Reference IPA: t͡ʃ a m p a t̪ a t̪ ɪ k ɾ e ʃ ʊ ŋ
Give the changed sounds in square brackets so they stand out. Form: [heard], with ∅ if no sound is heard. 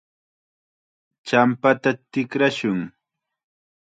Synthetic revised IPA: t͡ʃ a m p a t̪ a t̪ ɪ k ɾ [a] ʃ ʊ ŋ